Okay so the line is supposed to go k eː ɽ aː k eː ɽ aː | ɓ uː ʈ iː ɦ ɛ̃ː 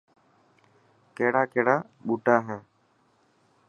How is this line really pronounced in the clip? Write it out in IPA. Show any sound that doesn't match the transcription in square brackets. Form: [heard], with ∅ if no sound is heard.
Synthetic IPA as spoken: k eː ɽ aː k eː ɽ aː | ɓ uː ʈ [aː] ɦ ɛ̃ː

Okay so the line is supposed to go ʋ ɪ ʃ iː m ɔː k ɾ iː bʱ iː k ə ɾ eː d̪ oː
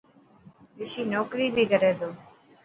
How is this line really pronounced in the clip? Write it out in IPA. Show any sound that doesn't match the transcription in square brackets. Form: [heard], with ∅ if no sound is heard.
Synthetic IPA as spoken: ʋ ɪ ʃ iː [n] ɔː k ɾ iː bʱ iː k ə ɾ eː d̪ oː

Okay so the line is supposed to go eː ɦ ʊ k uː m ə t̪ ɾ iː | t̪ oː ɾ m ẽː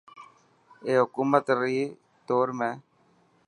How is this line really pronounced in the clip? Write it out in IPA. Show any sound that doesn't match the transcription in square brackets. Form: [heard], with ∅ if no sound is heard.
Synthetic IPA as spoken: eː ɦ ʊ k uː m ə t̪ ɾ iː | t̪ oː ɾ m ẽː

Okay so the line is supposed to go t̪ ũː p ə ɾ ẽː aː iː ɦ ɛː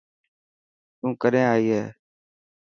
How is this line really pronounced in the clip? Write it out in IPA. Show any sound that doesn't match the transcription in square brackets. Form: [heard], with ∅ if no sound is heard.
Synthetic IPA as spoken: t̪ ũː [k] ə ɾ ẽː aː iː ɦ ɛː

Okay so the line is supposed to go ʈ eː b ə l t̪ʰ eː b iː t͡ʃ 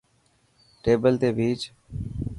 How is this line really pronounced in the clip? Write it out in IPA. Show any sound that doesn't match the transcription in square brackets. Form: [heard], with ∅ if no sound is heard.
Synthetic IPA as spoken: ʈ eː b ə l [t̪] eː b iː t͡ʃ

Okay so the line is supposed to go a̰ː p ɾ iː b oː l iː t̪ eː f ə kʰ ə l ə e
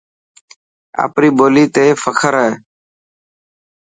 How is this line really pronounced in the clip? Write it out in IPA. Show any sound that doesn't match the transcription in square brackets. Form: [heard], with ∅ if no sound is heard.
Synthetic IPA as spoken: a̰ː p ɾ iː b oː l iː t̪ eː f ə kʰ ə [ɾ] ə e

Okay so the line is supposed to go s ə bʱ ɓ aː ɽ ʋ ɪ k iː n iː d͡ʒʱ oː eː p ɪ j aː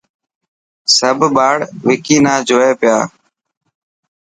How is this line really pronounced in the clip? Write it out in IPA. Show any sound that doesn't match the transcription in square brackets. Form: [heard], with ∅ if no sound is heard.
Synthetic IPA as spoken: s ə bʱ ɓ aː ɽ ʋ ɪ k iː n [aː] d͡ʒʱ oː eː p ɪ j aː

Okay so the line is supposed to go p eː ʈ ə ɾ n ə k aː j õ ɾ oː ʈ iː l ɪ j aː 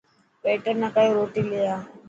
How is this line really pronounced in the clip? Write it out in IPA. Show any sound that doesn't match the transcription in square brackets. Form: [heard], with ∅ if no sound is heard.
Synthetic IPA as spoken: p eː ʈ ə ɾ n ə k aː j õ ɾ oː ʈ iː l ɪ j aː

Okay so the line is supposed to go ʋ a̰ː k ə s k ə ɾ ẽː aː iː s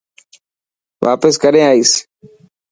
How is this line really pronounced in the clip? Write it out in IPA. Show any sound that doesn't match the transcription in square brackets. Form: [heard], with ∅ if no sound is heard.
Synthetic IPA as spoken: ʋ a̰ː [p] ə s k ə ɾ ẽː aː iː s

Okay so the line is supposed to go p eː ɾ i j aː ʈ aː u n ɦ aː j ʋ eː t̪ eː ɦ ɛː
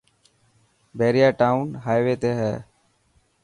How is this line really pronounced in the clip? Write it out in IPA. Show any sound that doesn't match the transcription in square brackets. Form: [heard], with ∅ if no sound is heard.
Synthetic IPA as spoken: [b] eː ɾ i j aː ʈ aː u n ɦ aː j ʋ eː t̪ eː ɦ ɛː

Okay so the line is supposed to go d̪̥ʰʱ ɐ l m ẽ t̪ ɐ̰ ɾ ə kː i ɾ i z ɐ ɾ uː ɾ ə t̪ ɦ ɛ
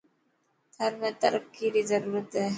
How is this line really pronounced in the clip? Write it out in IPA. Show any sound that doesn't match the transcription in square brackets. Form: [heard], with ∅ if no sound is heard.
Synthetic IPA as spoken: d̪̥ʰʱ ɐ [ɾ] m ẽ t̪ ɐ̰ ɾ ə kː i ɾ i z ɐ ɾ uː ɾ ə t̪ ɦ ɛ

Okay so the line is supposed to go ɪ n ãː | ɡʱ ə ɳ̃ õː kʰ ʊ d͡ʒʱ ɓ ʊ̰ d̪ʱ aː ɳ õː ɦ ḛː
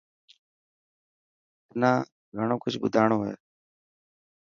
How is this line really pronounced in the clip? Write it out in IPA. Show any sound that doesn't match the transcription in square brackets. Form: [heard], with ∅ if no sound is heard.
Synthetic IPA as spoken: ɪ n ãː | ɡʱ ə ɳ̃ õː [k] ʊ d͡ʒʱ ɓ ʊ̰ d̪ʱ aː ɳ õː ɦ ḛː

